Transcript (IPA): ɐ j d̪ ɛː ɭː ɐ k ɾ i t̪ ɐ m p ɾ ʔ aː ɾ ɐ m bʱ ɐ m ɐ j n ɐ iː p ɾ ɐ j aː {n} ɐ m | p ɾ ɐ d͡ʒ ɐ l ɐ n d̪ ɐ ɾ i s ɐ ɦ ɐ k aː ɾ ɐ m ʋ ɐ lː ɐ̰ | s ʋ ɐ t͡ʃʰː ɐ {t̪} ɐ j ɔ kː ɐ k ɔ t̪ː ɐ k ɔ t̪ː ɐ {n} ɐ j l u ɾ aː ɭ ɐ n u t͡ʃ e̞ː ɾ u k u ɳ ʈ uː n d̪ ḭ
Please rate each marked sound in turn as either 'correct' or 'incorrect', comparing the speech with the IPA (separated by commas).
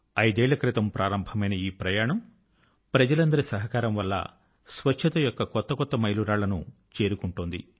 incorrect, correct, incorrect